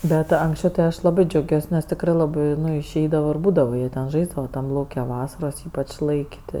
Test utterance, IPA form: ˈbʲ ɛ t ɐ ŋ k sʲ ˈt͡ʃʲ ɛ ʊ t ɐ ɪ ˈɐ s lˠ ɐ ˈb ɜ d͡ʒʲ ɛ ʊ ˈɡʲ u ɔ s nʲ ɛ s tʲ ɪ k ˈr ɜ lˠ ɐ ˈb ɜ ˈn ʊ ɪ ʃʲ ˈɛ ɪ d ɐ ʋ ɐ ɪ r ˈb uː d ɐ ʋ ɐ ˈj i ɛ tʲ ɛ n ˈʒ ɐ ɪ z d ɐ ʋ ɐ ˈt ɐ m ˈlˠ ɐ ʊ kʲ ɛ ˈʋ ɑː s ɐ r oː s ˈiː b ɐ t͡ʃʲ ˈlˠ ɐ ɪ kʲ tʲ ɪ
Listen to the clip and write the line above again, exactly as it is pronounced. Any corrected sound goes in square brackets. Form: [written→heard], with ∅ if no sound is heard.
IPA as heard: ˈbʲ ɛ t ɐ ŋ k sʲ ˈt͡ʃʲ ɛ ʊ t ɐ ɪ ˈɐ [s→ʃ] lˠ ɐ ˈb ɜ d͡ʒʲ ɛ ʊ ˈɡʲ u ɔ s nʲ ɛ s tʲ ɪ k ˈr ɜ lˠ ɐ ˈb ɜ ˈn ʊ ɪ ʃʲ ˈɛ ɪ d ɐ ʋ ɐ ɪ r ˈb uː d ɐ ʋ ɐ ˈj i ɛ tʲ ɛ n ˈʒ ɐ ɪ z d ɐ ʋ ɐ ˈt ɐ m ˈlˠ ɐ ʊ kʲ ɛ ˈʋ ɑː s ɐ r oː s ˈiː [b→p] ɐ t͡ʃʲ ˈlˠ ɐ ɪ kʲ tʲ ɪ